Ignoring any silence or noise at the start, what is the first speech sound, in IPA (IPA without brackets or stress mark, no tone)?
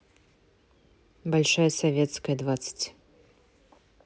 b